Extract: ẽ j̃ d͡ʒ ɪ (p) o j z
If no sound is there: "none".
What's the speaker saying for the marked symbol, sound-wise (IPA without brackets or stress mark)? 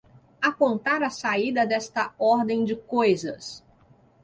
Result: k